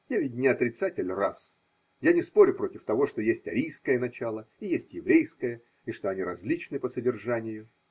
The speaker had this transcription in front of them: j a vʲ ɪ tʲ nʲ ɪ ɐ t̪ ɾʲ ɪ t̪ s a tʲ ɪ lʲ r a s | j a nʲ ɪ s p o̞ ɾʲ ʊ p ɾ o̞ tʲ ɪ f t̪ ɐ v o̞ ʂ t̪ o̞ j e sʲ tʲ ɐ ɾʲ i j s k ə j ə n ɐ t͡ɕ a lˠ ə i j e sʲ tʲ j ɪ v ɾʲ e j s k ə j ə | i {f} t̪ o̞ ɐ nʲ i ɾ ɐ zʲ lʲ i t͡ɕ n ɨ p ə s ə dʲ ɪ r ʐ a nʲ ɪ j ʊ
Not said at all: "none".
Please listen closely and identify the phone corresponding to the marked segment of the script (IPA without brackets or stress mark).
ʂ